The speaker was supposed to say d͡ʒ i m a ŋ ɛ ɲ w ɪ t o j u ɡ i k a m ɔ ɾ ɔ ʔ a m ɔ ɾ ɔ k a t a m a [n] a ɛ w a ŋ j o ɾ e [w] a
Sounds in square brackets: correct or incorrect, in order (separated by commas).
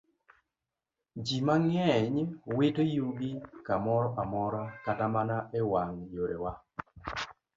correct, correct